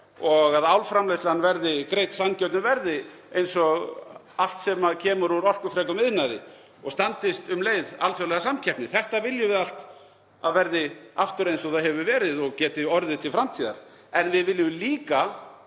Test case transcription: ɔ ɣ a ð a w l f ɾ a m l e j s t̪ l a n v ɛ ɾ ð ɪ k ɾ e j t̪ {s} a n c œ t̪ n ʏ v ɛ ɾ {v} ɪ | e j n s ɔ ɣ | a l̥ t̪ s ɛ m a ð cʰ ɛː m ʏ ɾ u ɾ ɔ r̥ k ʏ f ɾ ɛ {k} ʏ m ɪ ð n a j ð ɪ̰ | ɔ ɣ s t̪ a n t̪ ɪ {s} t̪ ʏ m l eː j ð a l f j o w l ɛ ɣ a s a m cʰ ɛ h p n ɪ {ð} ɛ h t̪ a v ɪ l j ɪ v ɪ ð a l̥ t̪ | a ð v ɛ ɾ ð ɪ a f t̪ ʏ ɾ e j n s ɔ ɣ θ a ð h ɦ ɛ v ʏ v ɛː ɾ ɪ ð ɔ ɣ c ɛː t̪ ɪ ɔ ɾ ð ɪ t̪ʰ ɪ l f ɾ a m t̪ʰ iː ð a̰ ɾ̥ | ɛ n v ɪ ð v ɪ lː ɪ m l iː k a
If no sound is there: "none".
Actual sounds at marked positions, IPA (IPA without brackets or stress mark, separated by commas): s, ð, k, s, θ